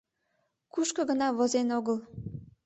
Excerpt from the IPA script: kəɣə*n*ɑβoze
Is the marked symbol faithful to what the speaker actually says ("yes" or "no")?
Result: yes